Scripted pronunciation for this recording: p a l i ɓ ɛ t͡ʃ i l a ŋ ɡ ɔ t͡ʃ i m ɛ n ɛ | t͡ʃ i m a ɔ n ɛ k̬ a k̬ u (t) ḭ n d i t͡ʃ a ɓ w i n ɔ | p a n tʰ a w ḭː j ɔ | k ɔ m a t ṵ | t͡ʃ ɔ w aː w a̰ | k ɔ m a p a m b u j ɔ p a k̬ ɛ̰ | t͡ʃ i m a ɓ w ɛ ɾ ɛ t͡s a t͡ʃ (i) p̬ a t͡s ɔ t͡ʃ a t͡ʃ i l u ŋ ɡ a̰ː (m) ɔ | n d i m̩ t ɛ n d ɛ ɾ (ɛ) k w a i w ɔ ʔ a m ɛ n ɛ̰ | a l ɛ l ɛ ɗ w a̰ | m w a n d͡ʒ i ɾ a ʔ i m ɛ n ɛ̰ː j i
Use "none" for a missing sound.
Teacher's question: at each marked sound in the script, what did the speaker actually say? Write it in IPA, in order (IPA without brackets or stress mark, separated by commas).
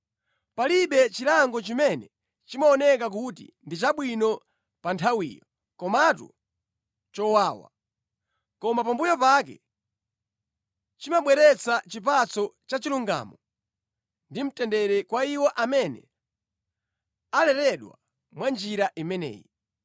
t, i, m, ɛ